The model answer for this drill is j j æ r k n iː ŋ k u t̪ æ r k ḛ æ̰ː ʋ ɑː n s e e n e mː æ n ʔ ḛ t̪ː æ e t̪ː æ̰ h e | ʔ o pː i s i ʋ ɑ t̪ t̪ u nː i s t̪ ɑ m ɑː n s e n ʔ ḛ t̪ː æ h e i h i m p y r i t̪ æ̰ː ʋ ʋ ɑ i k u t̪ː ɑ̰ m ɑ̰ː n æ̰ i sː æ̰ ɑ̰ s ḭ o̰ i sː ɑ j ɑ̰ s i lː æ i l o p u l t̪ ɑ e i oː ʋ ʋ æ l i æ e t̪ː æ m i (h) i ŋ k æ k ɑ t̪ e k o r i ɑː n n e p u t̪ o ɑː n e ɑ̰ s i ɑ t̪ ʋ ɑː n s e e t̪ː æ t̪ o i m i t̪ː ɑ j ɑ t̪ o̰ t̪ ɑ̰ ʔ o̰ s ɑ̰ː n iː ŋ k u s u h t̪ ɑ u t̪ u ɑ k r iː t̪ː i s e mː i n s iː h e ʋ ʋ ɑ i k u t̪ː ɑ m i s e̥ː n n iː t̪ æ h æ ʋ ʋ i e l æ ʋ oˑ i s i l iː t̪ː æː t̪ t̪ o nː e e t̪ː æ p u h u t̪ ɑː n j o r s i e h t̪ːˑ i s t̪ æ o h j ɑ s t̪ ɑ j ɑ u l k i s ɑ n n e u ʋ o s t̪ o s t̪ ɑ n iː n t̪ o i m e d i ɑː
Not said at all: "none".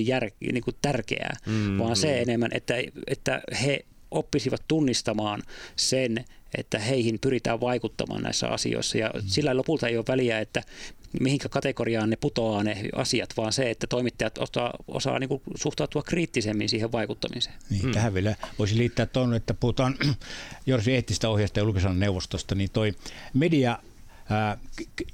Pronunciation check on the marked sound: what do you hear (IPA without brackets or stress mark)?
h